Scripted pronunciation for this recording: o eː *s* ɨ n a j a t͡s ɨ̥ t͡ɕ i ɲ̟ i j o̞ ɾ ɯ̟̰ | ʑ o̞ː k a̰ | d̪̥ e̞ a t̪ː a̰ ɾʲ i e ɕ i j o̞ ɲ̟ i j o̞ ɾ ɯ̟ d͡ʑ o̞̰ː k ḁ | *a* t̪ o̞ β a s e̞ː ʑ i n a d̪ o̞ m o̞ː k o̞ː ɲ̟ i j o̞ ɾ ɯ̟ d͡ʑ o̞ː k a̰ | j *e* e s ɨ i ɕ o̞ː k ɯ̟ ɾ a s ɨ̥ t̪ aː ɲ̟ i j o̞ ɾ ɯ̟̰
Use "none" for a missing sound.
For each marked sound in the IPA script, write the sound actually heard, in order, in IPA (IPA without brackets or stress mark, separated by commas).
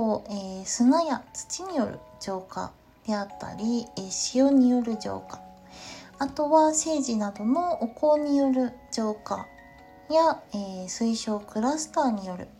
s, a, a